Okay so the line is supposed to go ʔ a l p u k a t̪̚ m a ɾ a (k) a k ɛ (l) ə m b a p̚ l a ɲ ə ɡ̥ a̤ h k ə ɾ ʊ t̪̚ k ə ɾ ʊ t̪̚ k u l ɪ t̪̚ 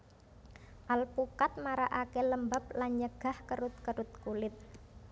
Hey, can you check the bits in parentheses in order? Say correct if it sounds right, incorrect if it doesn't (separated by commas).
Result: incorrect, correct